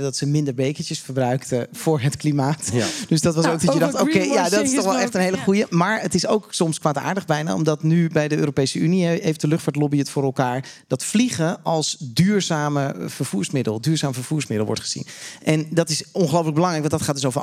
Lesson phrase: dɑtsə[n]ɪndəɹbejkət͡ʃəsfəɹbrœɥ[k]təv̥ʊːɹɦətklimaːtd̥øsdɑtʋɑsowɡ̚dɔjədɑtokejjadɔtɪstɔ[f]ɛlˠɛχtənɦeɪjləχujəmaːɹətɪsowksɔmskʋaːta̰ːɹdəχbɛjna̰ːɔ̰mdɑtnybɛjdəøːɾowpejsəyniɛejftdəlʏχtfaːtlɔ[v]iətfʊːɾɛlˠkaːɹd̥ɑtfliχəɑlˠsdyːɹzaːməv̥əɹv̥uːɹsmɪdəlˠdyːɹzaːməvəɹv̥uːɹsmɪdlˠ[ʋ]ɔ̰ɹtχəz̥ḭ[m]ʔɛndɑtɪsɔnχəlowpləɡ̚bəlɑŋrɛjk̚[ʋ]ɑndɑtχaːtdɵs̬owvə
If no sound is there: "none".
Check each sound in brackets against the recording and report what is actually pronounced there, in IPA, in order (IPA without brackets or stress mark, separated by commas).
m, k, χ, b, ʋ, n, ʋ